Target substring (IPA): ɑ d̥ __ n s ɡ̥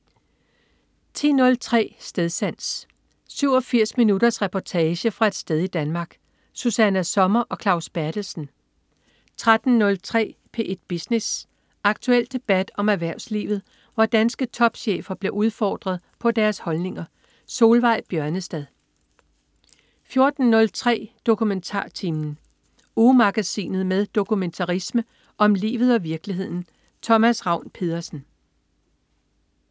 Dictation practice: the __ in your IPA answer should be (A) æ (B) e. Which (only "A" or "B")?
A